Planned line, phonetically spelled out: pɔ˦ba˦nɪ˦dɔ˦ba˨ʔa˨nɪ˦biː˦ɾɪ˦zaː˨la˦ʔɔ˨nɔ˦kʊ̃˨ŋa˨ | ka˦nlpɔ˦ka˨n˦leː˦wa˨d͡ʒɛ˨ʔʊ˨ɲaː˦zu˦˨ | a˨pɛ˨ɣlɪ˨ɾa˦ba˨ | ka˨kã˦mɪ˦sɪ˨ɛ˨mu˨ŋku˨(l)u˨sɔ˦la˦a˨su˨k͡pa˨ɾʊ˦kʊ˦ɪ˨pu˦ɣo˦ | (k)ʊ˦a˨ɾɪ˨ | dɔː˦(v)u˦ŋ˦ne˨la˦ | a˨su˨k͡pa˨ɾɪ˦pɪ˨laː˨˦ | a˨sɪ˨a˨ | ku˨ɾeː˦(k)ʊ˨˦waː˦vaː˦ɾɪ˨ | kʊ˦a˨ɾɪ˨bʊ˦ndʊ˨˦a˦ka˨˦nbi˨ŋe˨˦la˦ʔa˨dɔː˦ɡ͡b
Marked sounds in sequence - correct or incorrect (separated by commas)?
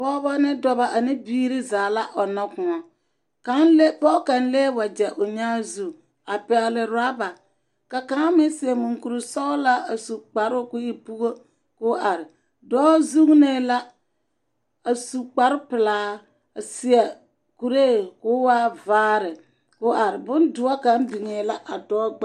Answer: incorrect, correct, incorrect, correct